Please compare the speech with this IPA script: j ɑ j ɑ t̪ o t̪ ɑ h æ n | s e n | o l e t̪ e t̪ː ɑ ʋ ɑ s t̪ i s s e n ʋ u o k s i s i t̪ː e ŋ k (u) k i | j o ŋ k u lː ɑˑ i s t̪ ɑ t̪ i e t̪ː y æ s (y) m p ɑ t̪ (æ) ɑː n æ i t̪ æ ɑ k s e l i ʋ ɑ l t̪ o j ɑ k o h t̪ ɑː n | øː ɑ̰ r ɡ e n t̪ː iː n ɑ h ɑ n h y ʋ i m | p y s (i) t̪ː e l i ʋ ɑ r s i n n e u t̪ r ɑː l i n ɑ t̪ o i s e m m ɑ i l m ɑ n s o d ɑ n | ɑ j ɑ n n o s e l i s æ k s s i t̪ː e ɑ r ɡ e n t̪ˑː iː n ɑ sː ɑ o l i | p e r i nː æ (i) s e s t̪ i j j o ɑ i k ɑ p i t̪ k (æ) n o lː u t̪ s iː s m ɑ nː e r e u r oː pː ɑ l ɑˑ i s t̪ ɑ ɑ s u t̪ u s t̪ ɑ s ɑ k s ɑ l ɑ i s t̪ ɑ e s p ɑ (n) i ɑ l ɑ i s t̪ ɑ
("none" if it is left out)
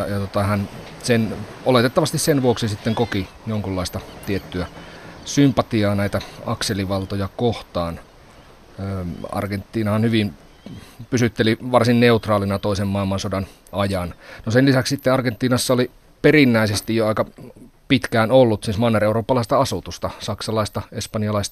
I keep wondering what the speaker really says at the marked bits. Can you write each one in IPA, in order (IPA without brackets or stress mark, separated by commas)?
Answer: o, y, i, y, i, æː, n